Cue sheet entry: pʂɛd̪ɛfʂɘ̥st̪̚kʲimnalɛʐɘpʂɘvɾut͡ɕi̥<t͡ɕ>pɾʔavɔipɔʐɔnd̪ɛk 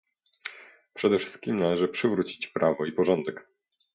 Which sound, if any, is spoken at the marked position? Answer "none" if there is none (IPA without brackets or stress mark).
t͡ɕ